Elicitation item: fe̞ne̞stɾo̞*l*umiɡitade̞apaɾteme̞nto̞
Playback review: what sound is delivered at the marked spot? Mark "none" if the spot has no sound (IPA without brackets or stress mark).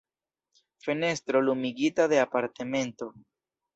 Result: l